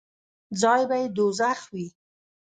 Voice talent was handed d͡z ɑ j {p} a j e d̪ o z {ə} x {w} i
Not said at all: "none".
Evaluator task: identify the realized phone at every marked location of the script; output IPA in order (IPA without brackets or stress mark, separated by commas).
b, a, w